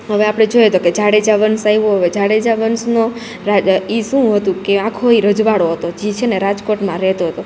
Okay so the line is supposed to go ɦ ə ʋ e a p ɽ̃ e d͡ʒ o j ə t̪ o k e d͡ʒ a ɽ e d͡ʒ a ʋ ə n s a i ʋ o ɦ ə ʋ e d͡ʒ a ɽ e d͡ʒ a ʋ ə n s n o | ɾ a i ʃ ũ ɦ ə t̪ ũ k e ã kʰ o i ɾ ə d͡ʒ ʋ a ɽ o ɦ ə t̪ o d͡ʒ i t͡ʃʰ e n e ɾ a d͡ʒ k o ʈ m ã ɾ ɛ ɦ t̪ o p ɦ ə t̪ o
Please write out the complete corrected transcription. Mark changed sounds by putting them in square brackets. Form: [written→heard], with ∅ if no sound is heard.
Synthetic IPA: ɦ ə ʋ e a p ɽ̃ e d͡ʒ o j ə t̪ o k e d͡ʒ a ɽ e d͡ʒ a ʋ ə n s a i ʋ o ɦ ə ʋ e d͡ʒ a ɽ e d͡ʒ a ʋ ə n s n o | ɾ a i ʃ ũ ɦ ə t̪ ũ k e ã kʰ o i ɾ ə d͡ʒ ʋ a ɽ o ɦ ə t̪ o d͡ʒ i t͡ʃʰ e n e ɾ a d͡ʒ k o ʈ m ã ɾ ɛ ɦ t̪ o [p→∅] ɦ ə t̪ o